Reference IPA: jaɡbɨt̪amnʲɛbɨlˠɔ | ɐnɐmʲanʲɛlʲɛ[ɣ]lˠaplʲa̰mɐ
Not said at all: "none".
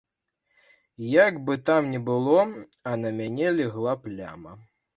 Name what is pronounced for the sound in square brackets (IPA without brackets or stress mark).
ɣ